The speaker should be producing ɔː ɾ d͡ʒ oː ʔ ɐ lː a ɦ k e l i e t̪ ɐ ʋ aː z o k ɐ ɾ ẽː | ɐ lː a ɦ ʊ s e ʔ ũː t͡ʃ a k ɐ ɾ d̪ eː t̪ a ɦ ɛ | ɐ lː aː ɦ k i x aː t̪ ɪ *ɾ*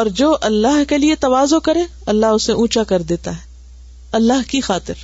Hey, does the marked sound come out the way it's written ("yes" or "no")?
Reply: yes